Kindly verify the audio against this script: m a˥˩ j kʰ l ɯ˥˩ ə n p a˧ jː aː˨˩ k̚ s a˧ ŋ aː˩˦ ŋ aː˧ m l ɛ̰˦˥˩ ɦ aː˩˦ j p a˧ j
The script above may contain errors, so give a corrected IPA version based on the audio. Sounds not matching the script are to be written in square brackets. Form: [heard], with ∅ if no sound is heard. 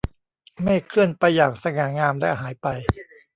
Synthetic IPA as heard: m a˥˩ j kʰ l ɯ˥˩ ə n p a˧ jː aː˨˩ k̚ s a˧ ŋ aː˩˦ ŋ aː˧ m l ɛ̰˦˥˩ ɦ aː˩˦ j p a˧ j